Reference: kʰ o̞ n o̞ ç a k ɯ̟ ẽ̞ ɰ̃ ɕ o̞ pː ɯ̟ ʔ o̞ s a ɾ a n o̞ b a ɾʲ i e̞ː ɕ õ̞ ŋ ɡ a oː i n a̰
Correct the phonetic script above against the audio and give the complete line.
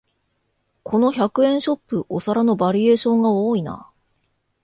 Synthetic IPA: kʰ o̞ n o̞ ç a k ɯ̟ ẽ̞ ɰ̃ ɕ o̞ pː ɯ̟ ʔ o̞ s a ɾ a n o̞ b a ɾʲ i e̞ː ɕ õ̞ ŋ ɡ a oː i n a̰